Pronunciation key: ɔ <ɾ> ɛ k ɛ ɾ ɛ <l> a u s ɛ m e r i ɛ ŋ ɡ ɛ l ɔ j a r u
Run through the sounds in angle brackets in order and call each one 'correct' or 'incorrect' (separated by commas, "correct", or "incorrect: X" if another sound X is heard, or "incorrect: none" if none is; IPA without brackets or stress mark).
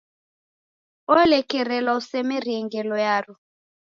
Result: incorrect: l, correct